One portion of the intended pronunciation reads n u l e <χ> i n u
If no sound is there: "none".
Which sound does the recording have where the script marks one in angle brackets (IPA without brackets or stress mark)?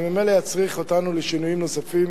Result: ʃ